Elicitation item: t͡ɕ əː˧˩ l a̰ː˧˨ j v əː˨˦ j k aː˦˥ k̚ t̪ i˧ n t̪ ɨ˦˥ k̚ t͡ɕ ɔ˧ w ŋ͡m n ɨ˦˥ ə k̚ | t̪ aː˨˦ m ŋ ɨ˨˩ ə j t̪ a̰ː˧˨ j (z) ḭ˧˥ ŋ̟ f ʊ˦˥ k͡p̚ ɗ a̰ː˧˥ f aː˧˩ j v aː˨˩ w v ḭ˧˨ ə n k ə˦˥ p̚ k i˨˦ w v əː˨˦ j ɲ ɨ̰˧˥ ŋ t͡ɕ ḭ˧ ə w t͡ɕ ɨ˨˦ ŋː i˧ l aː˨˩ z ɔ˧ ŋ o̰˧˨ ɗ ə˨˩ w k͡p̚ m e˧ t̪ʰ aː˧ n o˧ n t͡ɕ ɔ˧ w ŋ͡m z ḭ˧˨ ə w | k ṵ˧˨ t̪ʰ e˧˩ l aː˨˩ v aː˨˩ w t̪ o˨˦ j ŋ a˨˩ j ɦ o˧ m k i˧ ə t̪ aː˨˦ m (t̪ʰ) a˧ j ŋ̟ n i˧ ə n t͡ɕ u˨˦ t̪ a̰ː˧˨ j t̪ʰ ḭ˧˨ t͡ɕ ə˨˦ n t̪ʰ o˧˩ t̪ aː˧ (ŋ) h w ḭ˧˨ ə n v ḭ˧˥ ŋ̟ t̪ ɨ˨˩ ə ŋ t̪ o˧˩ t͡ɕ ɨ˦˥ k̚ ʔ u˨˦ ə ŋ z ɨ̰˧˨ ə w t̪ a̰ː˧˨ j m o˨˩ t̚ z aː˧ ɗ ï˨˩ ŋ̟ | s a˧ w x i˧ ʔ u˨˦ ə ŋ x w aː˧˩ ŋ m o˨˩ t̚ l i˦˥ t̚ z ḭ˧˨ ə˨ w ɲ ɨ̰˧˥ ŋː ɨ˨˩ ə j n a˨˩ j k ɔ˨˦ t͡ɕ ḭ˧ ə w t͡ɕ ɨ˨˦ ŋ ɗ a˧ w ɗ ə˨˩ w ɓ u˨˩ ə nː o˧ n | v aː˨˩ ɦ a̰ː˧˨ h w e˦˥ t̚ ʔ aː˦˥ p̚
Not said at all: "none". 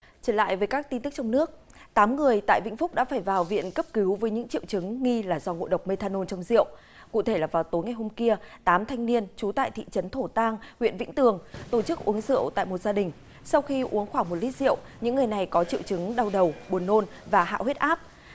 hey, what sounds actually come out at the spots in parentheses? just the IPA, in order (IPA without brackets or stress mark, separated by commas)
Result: v, t̪ʰ, ŋ